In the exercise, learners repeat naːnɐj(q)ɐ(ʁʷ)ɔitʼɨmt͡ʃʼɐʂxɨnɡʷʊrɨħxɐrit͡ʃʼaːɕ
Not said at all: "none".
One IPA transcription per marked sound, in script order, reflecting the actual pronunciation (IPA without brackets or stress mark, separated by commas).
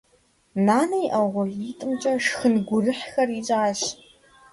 ʔ, ʁʷ